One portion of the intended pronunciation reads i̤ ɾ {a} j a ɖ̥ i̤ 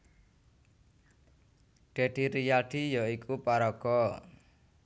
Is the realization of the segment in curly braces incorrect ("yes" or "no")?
yes